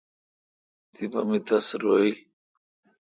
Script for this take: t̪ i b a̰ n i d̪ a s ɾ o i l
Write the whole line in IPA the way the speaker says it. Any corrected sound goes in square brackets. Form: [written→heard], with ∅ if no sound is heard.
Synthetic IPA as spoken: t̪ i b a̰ [n→m] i [d̪→t̪] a s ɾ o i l

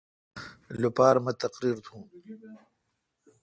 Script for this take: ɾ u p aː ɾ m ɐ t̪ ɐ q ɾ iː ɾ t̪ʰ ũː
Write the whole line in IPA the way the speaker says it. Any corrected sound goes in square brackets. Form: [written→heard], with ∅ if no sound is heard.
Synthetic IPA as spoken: [ɾ→l] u p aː ɾ m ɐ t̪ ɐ q ɾ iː ɾ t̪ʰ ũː

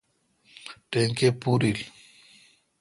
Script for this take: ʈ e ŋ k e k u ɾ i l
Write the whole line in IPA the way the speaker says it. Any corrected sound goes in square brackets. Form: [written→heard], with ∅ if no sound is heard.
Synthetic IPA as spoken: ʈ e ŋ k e [k→p] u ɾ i l

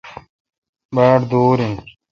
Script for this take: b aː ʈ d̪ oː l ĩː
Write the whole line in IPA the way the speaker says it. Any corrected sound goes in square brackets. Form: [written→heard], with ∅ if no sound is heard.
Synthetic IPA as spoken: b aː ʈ d̪ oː [l→ɾ] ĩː

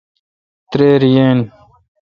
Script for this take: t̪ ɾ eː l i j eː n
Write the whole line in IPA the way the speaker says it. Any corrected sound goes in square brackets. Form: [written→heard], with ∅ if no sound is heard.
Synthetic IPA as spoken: t̪ ɾ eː [l→ɾ] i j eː n

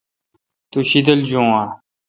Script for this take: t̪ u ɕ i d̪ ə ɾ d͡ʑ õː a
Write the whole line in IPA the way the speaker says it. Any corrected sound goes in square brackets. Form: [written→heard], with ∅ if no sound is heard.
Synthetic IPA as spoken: t̪ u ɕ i d̪ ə [ɾ→l] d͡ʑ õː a

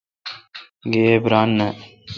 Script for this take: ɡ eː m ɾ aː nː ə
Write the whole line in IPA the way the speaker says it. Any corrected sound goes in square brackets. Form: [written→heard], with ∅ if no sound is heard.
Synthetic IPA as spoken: ɡ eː [m→b] ɾ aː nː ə

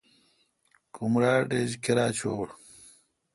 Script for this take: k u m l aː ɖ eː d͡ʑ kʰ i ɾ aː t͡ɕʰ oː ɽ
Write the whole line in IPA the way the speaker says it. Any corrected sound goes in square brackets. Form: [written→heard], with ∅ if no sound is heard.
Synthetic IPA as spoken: k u m [l→ɾ] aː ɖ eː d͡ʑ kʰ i ɾ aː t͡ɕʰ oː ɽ

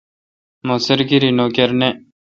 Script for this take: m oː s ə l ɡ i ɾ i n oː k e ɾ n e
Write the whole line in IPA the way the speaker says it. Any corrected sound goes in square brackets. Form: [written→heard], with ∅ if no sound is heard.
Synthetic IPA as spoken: m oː s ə [l→ɾ] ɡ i ɾ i n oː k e ɾ n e

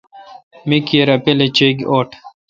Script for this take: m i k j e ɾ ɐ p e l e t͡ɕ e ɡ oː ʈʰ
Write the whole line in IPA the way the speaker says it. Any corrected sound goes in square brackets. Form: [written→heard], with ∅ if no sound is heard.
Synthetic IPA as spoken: m i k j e ɾ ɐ p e l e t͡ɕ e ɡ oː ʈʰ

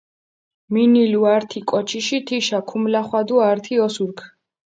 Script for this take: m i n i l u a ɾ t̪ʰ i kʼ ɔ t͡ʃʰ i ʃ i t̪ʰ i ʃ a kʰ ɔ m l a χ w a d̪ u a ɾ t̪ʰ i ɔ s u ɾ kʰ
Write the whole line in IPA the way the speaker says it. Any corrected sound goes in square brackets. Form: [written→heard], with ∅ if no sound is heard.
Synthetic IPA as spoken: m i n i l u a ɾ t̪ʰ i kʼ ɔ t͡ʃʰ i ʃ i t̪ʰ i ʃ a kʰ [ɔ→u] m l a χ w a d̪ u a ɾ t̪ʰ i ɔ s u ɾ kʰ

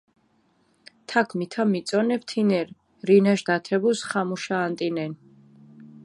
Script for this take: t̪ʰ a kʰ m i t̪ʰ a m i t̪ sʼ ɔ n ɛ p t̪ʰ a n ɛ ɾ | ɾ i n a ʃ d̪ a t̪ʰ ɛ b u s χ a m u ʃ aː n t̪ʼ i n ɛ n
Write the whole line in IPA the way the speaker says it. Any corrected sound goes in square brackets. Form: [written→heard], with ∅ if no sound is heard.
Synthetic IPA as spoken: t̪ʰ a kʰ m i t̪ʰ a m i t̪ sʼ ɔ n ɛ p t̪ʰ [a→i] n ɛ ɾ | ɾ i n a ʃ d̪ a t̪ʰ ɛ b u s χ a m u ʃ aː n t̪ʼ i n ɛ n

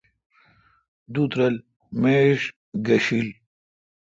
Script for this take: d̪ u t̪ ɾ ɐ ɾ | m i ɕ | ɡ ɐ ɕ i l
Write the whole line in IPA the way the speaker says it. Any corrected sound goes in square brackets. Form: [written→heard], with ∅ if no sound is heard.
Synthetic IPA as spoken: d̪ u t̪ ɾ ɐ [ɾ→l] | m [i→e] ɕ | ɡ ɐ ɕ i l

